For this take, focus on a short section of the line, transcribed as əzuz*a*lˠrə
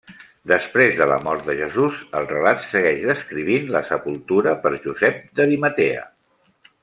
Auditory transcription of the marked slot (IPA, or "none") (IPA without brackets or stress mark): ə